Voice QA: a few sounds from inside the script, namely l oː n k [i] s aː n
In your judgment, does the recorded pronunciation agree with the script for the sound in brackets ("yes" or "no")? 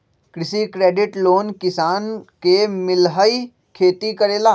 no